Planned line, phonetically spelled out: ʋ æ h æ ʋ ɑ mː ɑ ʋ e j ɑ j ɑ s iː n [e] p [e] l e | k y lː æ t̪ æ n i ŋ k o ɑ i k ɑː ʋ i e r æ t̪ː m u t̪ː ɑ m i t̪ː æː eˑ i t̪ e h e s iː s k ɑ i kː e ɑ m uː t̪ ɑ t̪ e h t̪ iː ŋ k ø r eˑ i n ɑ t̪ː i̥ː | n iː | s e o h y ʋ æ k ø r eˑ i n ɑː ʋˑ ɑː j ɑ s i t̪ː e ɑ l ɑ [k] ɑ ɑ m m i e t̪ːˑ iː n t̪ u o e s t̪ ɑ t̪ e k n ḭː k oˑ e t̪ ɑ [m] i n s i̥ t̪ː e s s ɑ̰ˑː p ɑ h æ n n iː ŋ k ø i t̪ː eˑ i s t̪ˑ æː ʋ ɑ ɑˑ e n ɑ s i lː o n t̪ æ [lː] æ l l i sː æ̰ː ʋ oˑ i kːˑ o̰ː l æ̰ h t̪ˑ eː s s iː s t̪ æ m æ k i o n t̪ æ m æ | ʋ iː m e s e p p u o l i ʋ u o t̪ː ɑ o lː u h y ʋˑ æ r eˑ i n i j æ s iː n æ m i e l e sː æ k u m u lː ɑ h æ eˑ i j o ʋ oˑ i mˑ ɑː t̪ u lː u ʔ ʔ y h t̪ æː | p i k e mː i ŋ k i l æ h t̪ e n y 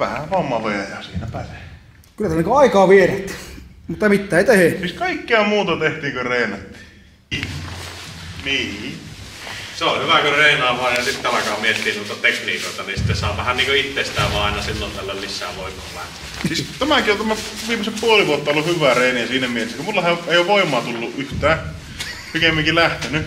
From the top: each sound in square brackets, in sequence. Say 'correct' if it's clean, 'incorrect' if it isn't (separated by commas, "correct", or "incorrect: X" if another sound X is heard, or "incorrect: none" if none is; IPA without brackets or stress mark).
incorrect: æ, incorrect: æ, correct, incorrect: n, correct